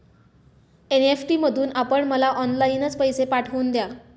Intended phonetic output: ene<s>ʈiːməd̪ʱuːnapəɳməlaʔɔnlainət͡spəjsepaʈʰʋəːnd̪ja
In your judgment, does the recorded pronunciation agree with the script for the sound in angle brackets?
no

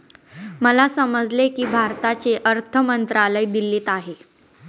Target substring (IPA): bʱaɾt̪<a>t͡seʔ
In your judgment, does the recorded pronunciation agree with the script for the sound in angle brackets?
yes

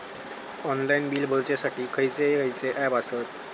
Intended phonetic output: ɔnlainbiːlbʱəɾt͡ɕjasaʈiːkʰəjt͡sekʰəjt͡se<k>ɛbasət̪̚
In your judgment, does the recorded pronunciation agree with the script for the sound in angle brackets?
no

